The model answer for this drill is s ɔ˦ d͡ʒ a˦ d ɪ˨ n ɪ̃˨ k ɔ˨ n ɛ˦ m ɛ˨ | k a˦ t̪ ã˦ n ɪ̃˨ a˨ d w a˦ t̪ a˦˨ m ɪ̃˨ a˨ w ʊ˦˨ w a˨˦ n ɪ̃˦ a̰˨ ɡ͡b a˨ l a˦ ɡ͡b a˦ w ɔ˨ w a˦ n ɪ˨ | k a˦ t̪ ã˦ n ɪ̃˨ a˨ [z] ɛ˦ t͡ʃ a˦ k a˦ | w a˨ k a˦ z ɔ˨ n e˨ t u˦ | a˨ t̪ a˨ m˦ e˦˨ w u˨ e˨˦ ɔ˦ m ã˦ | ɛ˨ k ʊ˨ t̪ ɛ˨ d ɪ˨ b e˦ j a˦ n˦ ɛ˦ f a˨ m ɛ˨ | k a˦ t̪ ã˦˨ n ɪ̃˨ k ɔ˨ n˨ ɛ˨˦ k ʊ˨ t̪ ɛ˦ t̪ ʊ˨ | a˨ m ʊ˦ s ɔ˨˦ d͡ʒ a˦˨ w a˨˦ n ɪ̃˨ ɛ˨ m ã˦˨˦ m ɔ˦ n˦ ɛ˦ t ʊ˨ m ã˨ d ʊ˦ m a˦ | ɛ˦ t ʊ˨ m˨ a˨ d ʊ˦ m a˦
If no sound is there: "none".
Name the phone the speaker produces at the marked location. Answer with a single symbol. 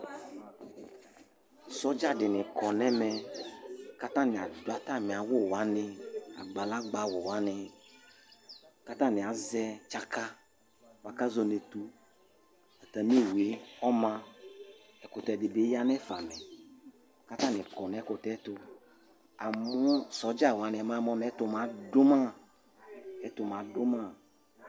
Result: z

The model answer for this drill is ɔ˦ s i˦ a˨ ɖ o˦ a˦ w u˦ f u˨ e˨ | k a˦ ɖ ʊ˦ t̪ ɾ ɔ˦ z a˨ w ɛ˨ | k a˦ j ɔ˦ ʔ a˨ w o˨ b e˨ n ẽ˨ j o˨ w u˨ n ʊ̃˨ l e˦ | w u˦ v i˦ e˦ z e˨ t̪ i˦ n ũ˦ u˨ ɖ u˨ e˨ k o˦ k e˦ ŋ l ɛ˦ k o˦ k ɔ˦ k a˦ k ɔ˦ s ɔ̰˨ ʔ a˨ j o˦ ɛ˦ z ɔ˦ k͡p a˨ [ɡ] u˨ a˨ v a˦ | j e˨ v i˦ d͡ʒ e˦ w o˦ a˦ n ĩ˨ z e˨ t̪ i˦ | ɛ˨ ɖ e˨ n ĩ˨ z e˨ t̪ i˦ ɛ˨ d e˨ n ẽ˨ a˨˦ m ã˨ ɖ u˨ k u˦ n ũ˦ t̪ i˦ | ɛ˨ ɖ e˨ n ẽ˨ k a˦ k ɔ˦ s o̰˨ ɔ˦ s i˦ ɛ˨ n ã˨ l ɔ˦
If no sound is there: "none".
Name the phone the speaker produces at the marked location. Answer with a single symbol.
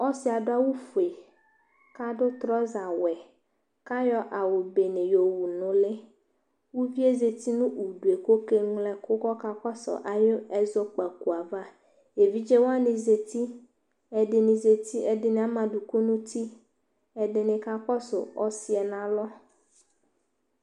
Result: k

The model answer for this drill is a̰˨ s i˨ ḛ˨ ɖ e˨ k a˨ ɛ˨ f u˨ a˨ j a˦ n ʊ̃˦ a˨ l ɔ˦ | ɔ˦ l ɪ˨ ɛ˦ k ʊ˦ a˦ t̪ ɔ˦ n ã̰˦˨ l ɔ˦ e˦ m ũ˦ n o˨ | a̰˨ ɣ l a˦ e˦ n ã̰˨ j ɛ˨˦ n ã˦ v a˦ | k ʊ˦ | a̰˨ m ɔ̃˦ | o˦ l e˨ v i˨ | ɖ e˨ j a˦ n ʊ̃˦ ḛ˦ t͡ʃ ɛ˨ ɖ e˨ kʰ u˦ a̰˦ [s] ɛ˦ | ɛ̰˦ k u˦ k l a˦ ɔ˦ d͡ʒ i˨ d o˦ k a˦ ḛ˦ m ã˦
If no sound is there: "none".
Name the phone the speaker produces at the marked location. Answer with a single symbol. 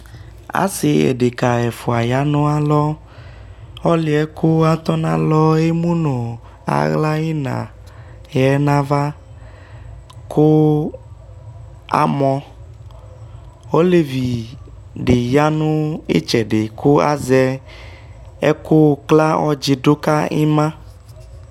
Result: z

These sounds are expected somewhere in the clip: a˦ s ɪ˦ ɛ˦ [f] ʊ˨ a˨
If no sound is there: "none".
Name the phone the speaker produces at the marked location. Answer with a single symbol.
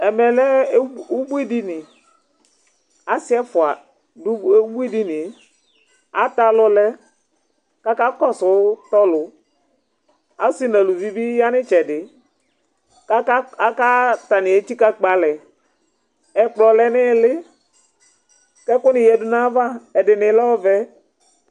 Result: f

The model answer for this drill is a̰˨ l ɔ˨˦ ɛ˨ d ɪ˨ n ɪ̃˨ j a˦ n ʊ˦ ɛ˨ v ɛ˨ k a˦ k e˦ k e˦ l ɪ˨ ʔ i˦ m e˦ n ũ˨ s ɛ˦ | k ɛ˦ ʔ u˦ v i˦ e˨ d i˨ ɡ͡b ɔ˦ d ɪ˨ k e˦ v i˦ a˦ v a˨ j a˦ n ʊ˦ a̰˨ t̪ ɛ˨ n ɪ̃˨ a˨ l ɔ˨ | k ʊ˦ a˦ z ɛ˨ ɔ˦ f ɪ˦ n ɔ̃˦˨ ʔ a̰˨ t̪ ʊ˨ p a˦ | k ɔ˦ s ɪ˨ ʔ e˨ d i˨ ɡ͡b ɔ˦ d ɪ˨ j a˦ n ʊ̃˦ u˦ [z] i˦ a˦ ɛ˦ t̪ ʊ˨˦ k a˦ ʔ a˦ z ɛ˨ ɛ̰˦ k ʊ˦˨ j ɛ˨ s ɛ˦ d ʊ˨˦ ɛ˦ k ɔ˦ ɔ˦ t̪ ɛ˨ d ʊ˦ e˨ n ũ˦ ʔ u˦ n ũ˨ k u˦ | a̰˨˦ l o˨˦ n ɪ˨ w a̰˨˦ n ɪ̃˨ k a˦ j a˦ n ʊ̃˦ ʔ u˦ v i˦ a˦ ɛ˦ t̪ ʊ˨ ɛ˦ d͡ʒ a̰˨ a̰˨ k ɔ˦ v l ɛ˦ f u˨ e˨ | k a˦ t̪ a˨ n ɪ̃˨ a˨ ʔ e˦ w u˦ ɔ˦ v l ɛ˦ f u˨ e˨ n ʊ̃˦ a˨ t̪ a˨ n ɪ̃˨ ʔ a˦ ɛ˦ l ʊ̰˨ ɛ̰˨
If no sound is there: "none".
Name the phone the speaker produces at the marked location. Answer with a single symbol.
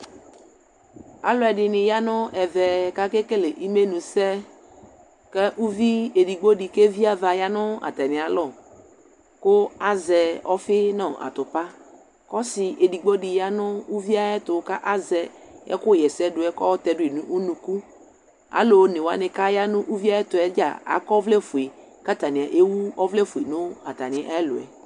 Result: v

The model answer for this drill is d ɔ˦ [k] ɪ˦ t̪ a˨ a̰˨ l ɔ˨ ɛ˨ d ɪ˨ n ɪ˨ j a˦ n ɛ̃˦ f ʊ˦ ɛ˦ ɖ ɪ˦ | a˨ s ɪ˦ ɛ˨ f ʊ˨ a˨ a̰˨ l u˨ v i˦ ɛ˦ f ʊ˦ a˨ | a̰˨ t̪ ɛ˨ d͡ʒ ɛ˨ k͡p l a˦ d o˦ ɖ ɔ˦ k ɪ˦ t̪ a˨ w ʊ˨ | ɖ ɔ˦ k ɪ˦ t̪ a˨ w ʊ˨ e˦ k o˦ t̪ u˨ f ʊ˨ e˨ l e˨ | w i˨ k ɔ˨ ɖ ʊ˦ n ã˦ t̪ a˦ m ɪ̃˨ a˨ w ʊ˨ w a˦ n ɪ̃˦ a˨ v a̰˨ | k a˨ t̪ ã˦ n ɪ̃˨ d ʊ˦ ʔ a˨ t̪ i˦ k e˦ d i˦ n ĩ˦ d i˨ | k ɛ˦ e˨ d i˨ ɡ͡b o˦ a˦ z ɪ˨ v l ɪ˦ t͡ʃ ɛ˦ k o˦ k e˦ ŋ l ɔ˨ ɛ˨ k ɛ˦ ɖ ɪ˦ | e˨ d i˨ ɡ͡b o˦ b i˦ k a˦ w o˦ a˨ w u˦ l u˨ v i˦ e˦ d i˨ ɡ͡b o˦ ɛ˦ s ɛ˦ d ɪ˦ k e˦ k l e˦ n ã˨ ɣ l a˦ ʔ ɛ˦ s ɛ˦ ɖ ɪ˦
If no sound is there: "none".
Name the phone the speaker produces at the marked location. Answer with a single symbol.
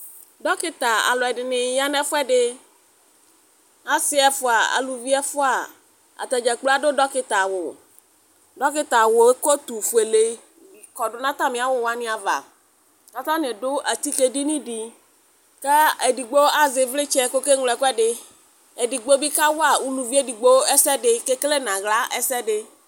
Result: k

